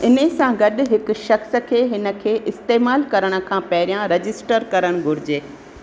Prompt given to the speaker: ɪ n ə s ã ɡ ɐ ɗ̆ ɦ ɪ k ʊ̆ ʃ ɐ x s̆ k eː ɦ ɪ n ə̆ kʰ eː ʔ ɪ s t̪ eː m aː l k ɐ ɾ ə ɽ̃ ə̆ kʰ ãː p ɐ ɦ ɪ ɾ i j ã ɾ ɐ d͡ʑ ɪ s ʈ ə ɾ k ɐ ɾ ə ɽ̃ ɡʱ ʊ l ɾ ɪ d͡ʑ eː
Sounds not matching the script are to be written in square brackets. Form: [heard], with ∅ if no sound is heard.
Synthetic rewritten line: ɪ n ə s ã ɡ ɐ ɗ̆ ɦ ɪ k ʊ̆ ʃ ɐ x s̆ [kʰ] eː ɦ ɪ n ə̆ kʰ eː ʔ ɪ s t̪ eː m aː l k ɐ ɾ ə ɽ̃ ə̆ kʰ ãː p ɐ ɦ ɪ ɾ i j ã ɾ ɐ d͡ʑ ɪ s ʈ ə ɾ k ɐ ɾ ə ɽ̃ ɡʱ ʊ [∅] ɾ ɪ d͡ʑ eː